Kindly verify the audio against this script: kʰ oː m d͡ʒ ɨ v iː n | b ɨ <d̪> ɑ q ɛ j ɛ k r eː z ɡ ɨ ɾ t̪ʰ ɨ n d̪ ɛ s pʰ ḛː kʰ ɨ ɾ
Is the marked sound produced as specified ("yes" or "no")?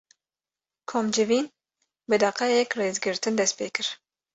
yes